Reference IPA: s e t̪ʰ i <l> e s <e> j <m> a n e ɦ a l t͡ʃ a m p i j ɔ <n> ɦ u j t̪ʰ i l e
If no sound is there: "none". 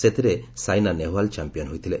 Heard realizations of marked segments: ɾ, a, n, n

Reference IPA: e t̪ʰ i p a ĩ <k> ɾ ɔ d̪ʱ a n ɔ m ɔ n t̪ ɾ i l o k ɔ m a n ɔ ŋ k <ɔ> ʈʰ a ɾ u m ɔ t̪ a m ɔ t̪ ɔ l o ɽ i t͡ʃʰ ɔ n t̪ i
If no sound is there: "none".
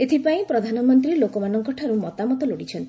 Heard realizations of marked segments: p, ɔ

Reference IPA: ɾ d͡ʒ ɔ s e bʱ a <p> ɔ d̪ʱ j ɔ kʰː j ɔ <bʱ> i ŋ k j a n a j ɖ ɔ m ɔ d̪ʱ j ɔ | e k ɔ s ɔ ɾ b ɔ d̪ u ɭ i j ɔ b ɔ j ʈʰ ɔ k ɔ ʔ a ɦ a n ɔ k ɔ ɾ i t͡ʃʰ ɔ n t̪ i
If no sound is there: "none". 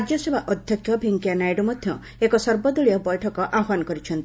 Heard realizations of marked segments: ʔ, bʱ

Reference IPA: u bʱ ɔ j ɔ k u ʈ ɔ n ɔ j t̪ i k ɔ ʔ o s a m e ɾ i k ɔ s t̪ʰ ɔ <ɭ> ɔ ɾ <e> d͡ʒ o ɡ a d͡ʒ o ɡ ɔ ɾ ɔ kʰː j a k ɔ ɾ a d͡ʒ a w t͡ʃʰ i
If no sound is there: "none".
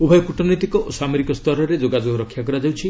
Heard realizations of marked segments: ɾ, e

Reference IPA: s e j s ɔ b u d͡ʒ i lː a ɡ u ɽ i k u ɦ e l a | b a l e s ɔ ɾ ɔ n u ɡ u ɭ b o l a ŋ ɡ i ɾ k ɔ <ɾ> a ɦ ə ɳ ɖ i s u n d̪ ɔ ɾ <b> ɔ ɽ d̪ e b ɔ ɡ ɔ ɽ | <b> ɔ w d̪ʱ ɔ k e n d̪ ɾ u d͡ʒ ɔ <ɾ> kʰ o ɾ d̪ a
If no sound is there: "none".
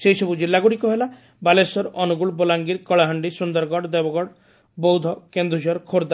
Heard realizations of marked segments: ɭ, ɡ, b, ɾ

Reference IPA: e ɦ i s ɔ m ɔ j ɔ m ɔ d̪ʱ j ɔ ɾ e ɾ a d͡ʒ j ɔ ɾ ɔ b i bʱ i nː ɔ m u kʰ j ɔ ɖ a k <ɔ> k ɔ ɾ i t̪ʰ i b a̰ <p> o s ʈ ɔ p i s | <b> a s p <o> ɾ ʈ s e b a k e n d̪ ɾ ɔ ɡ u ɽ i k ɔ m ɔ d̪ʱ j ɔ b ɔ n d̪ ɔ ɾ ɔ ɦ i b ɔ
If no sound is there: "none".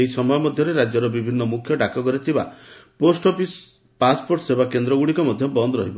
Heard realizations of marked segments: ɔ, p, p, o

